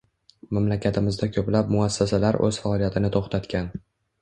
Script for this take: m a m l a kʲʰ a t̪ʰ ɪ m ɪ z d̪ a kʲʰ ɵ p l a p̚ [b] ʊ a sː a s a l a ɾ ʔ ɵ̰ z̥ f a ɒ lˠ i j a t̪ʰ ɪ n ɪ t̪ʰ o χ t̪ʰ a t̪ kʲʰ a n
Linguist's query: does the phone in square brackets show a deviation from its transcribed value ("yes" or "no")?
yes